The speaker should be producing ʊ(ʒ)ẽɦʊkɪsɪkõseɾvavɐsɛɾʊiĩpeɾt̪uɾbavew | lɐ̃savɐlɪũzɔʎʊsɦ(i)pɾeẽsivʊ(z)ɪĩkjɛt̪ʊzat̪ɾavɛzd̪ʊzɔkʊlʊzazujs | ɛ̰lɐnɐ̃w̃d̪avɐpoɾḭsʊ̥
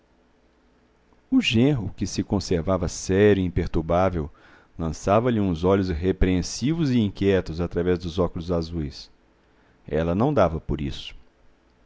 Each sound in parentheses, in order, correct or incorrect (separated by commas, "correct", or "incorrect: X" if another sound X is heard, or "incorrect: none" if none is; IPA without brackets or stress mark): correct, incorrect: e, correct